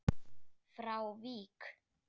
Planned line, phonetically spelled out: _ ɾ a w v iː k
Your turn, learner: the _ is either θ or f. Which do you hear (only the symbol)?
f